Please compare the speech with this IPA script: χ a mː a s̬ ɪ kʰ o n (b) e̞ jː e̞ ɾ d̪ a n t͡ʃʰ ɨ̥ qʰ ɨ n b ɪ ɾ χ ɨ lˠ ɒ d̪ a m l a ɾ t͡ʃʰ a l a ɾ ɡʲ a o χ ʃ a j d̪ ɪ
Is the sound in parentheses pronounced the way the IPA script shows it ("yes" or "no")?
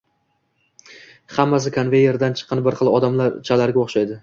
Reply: no